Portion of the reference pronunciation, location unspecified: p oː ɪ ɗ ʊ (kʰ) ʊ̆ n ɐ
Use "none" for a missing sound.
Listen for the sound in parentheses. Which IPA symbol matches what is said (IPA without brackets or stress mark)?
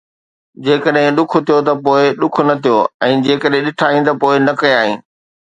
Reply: kʰ